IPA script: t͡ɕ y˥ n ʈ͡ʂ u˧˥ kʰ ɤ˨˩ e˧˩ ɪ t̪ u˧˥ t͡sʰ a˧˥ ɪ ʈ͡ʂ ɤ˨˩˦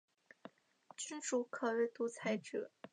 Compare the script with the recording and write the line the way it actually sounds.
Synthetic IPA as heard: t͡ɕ y˥ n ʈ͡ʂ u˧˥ kʰ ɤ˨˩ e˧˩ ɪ t̪ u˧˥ t͡sʰ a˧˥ ɪ ʈ͡ʂ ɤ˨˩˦

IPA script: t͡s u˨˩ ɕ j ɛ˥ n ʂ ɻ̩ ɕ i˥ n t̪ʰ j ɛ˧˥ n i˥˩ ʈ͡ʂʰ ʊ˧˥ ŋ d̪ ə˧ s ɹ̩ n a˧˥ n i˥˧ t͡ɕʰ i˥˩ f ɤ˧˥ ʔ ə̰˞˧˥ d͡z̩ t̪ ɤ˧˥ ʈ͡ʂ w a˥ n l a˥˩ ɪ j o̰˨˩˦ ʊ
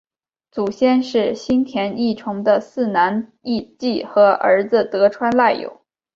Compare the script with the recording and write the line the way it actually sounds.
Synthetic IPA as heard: t͡s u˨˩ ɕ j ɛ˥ n ʂ ɻ̩ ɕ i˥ n t̪ʰ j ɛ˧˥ n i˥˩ ʈ͡ʂʰ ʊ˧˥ ŋ d̪ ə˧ s ɹ̩ n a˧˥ n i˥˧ t͡ɕ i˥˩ x ɤ˧˥ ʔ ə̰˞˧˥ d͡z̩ t̪ ɤ˧˥ ʈ͡ʂʰ w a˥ n l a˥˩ ɪ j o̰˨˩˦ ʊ

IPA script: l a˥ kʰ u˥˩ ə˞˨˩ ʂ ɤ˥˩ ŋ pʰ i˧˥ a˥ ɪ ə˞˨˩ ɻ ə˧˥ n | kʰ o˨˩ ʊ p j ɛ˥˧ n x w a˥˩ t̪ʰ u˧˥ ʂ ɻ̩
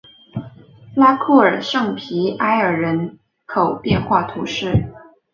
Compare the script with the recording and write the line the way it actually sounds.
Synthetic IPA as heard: l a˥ kʰ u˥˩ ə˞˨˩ ʂ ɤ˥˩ ŋ pʰ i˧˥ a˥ ɪ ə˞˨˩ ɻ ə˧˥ n | kʰ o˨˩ ʊ p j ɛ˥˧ n x w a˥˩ t̪ʰ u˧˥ ʂ ɻ̩

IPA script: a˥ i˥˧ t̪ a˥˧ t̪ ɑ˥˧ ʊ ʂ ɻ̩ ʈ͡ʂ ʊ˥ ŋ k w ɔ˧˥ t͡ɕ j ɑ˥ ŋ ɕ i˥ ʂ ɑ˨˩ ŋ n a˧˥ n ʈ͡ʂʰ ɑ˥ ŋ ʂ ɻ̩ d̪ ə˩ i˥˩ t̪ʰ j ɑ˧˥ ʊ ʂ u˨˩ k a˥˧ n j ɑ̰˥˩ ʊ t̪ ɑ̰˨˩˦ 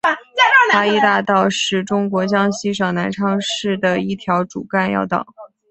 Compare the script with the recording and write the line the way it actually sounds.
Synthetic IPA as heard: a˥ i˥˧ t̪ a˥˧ t̪ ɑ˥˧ ʊ ʂ ɻ̩ ʈ͡ʂ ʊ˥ ŋ k w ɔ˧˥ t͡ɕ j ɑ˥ ŋ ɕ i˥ ʂ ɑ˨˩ ŋ n a˧˥ n ʈ͡ʂʰ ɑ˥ ŋ ʂ ɻ̩ d̪ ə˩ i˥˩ t̪ʰ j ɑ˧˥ ʊ ʈ͡ʂ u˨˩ k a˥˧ n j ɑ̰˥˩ ʊ t̪ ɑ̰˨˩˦

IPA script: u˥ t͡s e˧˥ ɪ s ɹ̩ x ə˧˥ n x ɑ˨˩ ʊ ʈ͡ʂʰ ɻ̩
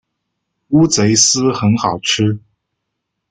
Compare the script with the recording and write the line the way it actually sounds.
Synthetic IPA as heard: u˥ t͡s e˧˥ ɪ s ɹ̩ x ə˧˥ n x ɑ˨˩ ʊ ʈ͡ʂʰ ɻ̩

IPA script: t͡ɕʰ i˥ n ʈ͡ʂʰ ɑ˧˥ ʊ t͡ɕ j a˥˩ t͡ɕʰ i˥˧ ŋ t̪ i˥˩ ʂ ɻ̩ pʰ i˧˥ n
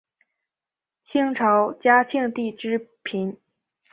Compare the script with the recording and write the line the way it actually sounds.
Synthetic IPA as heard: t͡ɕʰ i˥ ŋ ʈ͡ʂʰ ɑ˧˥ ʊ t͡ɕ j a˥ t͡ɕʰ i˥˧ ŋ t̪ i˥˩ ʈ͡ʂ ɻ̩ pʰ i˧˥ n

